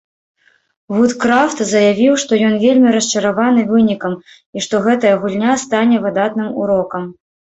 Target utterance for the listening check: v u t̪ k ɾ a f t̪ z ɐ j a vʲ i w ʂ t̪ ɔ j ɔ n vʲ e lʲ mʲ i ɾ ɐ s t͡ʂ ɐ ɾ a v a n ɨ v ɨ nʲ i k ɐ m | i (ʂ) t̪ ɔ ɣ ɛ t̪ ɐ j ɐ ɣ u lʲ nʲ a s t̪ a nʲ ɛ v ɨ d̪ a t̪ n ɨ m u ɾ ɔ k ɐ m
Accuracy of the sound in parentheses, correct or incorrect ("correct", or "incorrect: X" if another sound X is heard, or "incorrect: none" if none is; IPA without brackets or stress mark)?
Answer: correct